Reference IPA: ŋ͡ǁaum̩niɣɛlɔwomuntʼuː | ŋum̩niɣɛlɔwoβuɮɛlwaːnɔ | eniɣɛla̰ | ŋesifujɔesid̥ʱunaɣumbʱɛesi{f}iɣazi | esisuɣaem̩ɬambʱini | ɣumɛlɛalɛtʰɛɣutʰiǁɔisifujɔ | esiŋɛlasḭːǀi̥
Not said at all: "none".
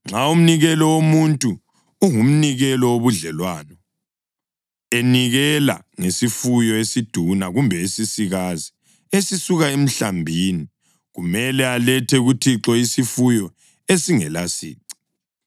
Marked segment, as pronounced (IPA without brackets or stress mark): s